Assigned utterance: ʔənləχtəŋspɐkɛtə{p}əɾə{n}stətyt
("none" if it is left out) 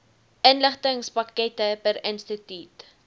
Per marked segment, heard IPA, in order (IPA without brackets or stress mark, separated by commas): p, n